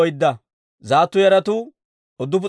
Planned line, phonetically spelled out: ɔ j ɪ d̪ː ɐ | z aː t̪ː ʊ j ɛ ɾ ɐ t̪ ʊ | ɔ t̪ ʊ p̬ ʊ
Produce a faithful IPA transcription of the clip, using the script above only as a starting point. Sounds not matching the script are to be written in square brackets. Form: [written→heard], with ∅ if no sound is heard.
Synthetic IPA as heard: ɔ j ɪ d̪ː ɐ | z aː t̪ː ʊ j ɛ ɾ ɐ t̪ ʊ | ɔ [t̪→d̪] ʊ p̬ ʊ